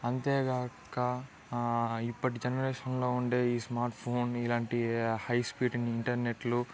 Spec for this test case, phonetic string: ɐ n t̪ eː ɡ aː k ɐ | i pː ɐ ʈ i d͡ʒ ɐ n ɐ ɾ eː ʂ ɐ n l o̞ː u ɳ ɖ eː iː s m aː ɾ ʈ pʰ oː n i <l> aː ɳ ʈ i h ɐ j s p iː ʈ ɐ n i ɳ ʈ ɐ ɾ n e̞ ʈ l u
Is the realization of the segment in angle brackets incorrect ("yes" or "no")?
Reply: no